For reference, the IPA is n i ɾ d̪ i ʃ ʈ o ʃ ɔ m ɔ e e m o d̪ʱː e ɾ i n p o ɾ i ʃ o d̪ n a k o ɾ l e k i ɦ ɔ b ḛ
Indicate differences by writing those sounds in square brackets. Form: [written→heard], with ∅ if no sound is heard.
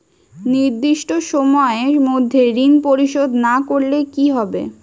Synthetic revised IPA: n i ɾ d̪ i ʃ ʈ o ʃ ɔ m ɔ e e m o d̪ʱː e ɾ i n p o ɾ i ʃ o d̪ n a k o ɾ l e k i ɦ ɔ b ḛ